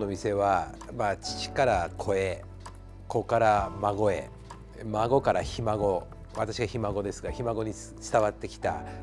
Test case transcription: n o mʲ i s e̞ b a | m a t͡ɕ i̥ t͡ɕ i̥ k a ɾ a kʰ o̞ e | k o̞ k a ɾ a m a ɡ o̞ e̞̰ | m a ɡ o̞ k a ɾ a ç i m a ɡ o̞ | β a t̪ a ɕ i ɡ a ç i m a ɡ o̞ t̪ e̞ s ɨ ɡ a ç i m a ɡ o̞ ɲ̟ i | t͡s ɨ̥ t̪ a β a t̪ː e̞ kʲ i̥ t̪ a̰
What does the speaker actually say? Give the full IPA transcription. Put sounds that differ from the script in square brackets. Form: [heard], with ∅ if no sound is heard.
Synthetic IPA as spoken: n o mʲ i s e̞ [β] a | m a t͡ɕ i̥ t͡ɕ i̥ k a ɾ a kʰ o̞ e | k o̞ k a ɾ a m a ɡ o̞ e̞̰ | m a ɡ o̞ k a ɾ a ç i m a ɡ o̞ | β a t̪ a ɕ i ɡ a ç i m a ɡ o̞ [d̪] e̞ s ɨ ɡ a ç i m a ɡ o̞ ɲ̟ i | t͡s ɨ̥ t̪ a β a t̪ː e̞ kʲ i̥ t̪ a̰